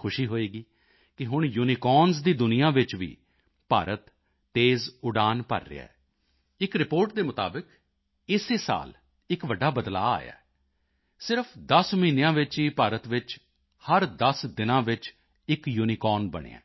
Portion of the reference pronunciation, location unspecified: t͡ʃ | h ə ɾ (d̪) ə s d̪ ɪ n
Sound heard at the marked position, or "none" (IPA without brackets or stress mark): d̪